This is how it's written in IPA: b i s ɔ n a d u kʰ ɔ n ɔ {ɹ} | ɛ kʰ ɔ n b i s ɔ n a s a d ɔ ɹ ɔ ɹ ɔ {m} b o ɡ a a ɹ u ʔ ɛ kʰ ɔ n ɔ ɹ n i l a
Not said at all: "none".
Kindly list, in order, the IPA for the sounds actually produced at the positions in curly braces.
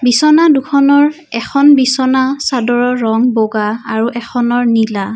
ɹ, ŋ

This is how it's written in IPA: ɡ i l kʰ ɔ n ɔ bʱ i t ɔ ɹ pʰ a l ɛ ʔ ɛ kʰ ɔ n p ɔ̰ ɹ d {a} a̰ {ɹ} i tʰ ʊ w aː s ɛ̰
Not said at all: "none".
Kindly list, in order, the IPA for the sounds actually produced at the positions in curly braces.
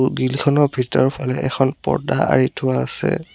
a, ɹ

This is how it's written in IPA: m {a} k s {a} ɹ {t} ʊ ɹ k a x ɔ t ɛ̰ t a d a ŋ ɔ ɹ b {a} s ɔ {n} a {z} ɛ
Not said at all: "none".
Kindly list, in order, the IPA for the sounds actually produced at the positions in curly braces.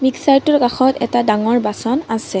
i, a, t, a, n, s

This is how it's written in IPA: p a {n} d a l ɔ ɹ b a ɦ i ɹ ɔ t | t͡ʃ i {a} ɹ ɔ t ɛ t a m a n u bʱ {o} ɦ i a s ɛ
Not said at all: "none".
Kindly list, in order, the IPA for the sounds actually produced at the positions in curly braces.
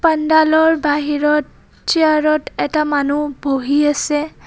n, a, o

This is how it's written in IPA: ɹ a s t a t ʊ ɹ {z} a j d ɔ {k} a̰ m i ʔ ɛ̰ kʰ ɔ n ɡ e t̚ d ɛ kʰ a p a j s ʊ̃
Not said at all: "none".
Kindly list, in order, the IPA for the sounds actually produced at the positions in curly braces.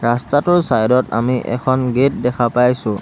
s, t

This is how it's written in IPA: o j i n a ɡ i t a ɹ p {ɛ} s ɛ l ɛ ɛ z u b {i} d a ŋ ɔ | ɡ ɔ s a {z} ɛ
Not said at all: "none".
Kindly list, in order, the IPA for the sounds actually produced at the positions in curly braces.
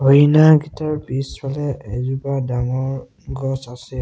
i, a, s

